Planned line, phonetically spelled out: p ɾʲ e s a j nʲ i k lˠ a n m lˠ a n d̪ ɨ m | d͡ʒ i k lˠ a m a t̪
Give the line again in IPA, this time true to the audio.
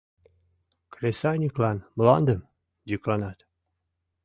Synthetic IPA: k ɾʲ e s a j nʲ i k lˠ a n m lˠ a n d̪ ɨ m | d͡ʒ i k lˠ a n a t̪